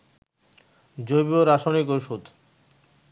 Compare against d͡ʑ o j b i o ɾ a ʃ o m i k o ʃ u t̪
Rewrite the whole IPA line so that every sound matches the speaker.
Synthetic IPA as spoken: d͡ʑ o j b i o ɾ a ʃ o n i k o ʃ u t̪

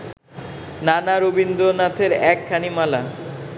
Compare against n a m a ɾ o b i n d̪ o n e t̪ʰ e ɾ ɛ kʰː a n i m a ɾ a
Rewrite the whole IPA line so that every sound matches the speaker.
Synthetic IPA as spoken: n a n a ɾ o b i n d̪ o n a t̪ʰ e ɾ ɛ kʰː a n i m a l a

